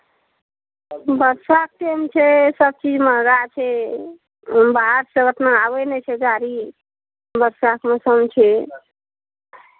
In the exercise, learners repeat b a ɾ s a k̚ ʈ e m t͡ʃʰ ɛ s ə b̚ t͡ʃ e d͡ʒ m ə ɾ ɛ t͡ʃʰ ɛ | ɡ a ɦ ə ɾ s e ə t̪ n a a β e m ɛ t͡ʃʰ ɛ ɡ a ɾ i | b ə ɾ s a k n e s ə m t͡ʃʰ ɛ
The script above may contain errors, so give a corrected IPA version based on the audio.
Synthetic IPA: b ə ɾ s a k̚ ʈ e m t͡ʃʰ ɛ s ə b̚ t͡ʃ i d͡ʒ m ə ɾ a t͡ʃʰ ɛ | b a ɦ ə ɾ s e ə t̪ n a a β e n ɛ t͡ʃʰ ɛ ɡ a ɾ i | b ə ɾ s a k m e s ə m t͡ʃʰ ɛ